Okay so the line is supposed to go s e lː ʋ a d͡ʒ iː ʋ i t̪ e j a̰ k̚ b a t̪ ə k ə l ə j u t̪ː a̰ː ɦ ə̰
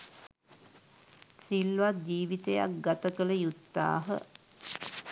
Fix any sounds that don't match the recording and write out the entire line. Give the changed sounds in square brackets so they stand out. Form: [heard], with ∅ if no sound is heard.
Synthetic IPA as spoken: s [i] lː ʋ a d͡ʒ iː ʋ i t̪ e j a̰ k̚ [ɡ] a t̪ ə k ə l ə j u t̪ː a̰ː ɦ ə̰